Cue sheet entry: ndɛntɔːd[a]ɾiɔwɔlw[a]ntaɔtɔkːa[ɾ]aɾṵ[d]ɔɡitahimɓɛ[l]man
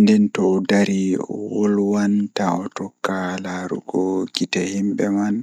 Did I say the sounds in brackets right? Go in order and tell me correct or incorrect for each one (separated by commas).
correct, correct, incorrect, incorrect, incorrect